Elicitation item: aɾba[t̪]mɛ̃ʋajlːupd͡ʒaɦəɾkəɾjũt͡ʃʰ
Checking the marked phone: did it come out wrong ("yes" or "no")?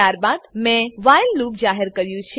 yes